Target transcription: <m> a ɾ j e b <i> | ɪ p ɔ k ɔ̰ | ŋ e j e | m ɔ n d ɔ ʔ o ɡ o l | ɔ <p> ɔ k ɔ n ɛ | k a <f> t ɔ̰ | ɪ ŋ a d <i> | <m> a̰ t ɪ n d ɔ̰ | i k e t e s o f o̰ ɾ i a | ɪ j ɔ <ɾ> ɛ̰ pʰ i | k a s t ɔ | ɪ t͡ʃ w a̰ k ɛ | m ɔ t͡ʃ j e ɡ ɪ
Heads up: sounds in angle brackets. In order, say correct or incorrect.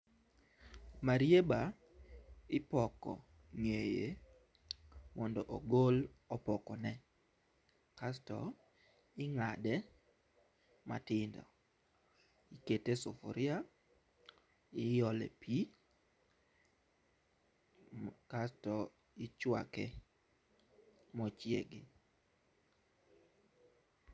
correct, incorrect: a, correct, incorrect: s, incorrect: ɛ, correct, incorrect: l

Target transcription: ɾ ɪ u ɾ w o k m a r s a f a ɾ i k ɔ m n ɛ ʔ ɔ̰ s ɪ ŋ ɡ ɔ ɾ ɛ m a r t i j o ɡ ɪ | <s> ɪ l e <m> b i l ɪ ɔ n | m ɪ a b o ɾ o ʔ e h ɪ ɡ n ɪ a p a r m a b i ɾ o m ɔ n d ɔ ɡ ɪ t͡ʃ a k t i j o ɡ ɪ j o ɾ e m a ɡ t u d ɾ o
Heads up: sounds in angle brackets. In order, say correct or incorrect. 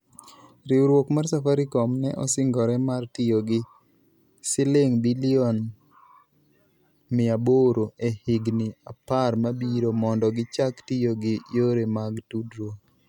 correct, incorrect: ŋ

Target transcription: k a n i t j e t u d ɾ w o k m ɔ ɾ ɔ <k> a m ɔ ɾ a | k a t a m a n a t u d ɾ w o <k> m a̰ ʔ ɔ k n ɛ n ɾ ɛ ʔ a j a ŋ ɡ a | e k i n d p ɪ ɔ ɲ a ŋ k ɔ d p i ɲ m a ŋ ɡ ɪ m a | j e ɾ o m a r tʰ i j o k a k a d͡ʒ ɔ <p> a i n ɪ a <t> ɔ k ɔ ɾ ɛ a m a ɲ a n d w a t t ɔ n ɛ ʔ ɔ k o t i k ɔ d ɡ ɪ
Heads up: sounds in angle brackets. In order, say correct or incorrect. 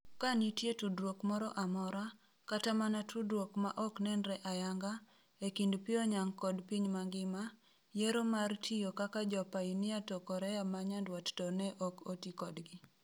incorrect: ʔ, correct, correct, correct

